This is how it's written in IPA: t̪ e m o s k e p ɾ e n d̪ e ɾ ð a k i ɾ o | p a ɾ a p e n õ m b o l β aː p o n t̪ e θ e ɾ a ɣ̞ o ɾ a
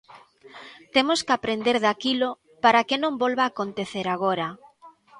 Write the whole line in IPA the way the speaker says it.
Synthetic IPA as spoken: t̪ e m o s k a p ɾ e n d̪ e ɾ ð a k i l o | p a ɾ a k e n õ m b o l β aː k o n t̪ e θ e ɾ a ɣ̞ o ɾ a